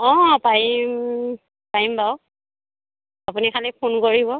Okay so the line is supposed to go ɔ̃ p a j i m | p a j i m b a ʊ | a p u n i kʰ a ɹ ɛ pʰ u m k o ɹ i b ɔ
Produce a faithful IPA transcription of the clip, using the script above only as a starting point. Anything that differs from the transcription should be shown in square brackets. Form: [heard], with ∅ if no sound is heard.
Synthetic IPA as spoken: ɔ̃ p a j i m | p a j i m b a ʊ | a p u n i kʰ a [l] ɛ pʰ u [n] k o ɹ i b ɔ